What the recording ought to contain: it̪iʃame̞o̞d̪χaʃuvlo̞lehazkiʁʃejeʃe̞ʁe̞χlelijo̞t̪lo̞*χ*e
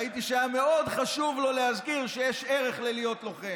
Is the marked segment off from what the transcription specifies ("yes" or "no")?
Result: no